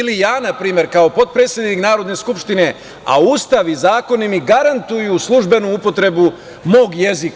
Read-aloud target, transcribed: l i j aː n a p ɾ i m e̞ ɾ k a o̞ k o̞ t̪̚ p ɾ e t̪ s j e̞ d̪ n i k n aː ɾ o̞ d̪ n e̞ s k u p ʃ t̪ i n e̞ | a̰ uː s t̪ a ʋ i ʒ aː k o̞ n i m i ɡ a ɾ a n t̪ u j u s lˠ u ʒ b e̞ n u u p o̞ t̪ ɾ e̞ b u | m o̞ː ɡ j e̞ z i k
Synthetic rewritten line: l i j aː n a p ɾ iː m e̞ ɾ k a o̞ p o̞ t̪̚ p ɾ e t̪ s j e̞ d̪ n i k n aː ɾ o̞ d̪ n e̞ s k u p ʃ t̪ i n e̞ | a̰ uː s t̪ a ʋ i z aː k o̞ n i m i ɡ a ɾ a n t̪ u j u s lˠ u ʒ b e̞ n u u p o̞ t̪ ɾ e̞ b u | m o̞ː ɡ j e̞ z i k